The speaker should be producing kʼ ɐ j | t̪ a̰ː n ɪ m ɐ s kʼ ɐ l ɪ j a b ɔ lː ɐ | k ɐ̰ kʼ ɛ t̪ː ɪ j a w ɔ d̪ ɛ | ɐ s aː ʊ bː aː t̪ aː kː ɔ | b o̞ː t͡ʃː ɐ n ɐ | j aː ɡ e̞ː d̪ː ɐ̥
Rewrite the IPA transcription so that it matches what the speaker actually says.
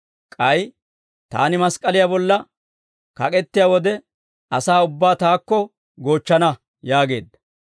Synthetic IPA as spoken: kʼ ɐ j | t̪ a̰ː n ɪ m ɐ s kʼ ɐ l ɪ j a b ɔ lː ɐ | k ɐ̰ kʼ ɛ t̪ː ɪ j a w ɔ d̪ ɛ | ɐ s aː ʊ bː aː t̪ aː kː ɔ | ɡ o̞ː t͡ʃː ɐ n ɐ | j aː ɡ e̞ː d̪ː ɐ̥

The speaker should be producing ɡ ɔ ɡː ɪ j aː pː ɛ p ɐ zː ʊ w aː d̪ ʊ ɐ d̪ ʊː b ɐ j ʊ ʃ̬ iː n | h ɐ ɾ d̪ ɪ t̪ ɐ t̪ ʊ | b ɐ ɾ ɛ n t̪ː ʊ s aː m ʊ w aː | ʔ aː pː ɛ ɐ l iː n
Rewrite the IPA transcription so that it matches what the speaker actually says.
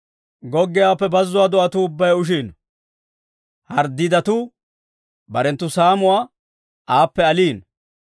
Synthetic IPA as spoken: ɡ ɔ ɡː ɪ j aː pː ɛ b ɐ zː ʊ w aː d̪ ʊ ɐ t̪ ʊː bː ɐ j ʊ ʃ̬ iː n | h ɐ ɾ d̪ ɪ d̪ ɐ t̪ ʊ | b ɐ ɾ ɛ n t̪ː ʊ s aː m ʊ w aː | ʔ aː pː ɛ ɐ l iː n

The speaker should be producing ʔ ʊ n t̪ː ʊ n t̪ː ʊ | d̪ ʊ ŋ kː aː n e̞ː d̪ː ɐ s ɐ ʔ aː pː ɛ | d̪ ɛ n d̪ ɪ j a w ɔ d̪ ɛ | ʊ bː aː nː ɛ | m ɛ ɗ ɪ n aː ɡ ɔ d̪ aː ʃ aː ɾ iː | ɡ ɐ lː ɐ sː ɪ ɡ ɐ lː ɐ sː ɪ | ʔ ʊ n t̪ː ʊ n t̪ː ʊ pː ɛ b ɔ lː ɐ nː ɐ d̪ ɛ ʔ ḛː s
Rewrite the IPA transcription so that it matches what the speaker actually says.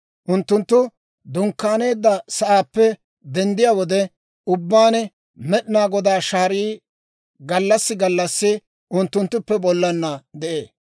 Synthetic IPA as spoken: ʔ ʊ n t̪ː ʊ n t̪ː ʊ | d̪ ʊ ŋ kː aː n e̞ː d̪ː ɐ s ɐ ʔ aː pː ɛ | d̪ ɛ n d̪ ɪ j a w ɔ d̪ ɛ | ʊ bː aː n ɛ | m ɛ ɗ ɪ n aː ɡ ɔ d̪ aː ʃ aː ɾ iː | ɡ ɐ lː ɐ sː ɪ ɡ ɐ lː ɐ sː ɪ | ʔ ʊ n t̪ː ʊ n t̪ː ʊ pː ɛ b ɔ lː ɐ nː ɐ d̪ ɛ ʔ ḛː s

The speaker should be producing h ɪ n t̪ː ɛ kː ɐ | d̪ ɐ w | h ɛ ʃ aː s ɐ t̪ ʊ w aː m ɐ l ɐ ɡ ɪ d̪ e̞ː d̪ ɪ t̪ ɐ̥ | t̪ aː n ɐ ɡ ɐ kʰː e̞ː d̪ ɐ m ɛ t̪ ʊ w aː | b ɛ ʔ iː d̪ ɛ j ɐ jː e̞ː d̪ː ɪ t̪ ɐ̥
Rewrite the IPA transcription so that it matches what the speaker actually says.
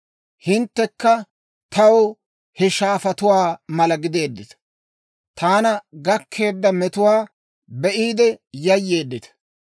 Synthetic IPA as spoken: h ɪ n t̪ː ɛ kː ɐ | t̪ ɐ w | h ɛ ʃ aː f ɐ t̪ ʊ w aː m ɐ l ɐ ɡ ɪ d̪ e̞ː d̪ː ɪ t̪ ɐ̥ | t̪ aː n ɐ ɡ ɐ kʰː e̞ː d̪ː ɐ m ɛ t̪ ʊ w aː | b ɛ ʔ iː d̪ ɛ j ɐ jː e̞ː d̪ː ɪ t̪ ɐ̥

